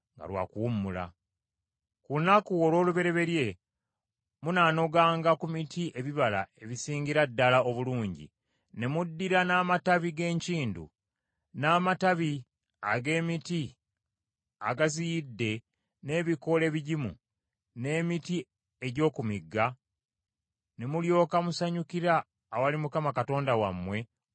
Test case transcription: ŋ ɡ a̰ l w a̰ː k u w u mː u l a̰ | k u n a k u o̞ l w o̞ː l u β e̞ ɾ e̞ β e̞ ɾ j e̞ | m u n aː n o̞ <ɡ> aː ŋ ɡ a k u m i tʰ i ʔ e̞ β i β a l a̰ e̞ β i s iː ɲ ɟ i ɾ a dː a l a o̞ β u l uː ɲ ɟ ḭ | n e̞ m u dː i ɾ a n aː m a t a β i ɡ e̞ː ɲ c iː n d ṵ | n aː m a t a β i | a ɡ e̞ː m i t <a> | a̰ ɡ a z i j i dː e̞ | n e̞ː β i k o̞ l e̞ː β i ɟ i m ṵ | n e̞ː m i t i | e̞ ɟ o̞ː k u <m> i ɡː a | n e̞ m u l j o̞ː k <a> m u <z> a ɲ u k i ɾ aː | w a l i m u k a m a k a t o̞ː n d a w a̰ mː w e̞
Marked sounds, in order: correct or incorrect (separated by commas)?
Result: correct, incorrect, correct, correct, incorrect